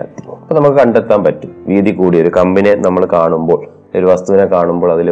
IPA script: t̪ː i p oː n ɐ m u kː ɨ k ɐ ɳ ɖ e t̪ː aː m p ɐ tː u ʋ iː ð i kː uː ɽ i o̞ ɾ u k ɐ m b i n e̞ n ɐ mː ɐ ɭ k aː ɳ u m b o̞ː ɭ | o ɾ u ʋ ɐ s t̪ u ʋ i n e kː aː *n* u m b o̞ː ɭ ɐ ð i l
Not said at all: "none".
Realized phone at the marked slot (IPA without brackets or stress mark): ɳ